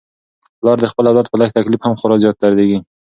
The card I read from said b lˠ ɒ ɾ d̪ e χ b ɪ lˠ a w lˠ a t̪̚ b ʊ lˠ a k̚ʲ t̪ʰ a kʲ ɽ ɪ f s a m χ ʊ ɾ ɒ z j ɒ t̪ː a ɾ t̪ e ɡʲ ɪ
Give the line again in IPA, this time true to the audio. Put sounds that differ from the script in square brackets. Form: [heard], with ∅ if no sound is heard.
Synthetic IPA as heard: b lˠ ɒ ɾ d̪ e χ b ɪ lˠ a w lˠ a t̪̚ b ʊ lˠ a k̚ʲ t̪ʰ a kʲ [l] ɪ f [h] a m χ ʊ ɾ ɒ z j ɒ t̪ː a ɾ [d̪] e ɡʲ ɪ